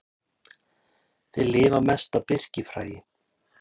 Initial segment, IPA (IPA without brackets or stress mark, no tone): θ